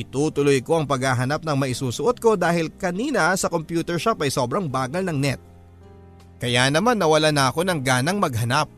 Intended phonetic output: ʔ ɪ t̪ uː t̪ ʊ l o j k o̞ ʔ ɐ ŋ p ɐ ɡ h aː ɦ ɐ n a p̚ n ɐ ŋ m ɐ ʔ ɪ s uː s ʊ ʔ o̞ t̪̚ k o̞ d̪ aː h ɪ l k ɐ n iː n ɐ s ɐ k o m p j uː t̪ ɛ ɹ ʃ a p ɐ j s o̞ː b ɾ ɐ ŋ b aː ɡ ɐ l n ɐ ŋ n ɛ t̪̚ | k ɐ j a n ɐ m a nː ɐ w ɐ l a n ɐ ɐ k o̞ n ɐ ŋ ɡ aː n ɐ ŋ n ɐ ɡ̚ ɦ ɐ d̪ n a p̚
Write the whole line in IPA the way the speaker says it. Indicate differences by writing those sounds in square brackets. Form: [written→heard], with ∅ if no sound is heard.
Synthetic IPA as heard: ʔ ɪ t̪ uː t̪ ʊ l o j k o̞ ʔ ɐ ŋ p ɐ ɡ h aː ɦ ɐ n a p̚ n ɐ ŋ m ɐ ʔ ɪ s uː s ʊ ʔ o̞ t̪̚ k o̞ d̪ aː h ɪ l k ɐ n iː n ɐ s ɐ k o m p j uː t̪ ɛ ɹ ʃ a p ɐ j s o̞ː b ɾ ɐ ŋ b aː ɡ ɐ l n ɐ ŋ n ɛ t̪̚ | k ɐ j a n ɐ m a nː ɐ w ɐ l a n ɐ ɐ k o̞ n ɐ ŋ ɡ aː n ɐ ŋ [n→m] ɐ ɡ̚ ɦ ɐ [d̪→∅] n a p̚